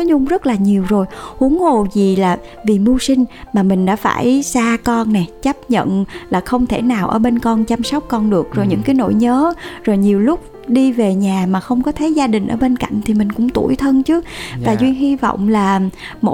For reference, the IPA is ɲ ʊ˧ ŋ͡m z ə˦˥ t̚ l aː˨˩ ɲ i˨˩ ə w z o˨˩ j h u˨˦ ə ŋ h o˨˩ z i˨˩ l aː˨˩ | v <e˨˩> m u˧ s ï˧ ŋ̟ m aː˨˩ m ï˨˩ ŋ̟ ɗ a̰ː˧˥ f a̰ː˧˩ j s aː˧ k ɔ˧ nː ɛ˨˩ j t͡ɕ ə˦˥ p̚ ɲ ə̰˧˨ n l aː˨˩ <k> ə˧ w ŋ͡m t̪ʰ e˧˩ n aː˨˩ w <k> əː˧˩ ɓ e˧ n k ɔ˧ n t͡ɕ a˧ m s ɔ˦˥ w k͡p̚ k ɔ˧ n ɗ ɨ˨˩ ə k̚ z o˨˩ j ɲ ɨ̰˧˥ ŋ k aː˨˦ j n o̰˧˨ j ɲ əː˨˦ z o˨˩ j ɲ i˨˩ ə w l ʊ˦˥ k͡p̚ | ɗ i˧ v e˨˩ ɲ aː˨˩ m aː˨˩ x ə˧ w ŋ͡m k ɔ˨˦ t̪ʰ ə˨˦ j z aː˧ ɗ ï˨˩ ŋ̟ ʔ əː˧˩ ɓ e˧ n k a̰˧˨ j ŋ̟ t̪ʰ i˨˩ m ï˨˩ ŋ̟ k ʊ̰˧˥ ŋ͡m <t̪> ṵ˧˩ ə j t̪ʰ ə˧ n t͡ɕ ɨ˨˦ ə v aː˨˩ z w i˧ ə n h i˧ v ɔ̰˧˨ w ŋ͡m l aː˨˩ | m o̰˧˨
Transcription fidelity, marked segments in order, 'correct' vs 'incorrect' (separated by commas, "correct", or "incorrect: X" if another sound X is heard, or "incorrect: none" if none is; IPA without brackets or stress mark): incorrect: i˨˩, incorrect: x, incorrect: ʔ, correct